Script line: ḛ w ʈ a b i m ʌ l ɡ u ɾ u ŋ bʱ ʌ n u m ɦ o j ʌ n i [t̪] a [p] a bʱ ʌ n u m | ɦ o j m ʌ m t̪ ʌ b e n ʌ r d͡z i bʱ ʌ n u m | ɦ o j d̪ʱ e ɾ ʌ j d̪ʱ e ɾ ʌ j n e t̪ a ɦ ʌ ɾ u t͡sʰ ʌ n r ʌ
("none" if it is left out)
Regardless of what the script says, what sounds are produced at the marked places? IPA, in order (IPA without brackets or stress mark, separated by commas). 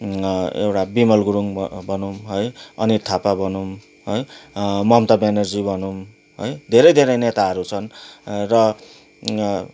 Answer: t̪ʰ, p